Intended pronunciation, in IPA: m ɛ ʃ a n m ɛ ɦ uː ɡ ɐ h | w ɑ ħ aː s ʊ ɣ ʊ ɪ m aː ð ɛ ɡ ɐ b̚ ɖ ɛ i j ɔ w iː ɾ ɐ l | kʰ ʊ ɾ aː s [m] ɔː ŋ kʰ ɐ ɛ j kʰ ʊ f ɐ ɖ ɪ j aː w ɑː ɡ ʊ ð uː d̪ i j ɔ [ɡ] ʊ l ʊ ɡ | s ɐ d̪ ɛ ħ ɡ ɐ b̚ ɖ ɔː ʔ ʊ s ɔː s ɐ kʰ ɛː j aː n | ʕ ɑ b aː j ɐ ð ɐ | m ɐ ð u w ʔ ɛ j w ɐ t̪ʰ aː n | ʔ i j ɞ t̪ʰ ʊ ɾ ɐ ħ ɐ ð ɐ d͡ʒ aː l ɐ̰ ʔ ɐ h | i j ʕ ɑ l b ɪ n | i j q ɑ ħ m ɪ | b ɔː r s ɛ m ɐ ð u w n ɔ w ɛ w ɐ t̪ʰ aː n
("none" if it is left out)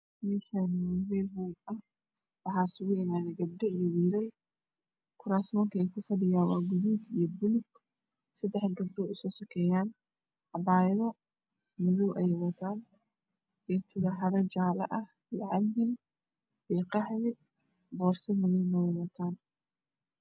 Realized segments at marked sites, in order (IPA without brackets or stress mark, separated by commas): m, b